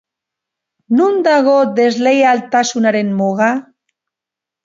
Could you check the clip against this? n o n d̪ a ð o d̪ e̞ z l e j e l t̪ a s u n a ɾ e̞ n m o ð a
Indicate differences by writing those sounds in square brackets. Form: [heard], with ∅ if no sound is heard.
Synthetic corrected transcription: n [u] n d̪ a [ɣ] o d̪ e̞ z l e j [a] l t̪ a s u n a ɾ e̞ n m o [ɣ] a